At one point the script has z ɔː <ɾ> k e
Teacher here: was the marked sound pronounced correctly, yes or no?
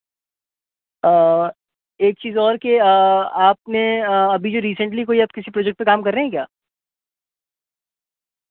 yes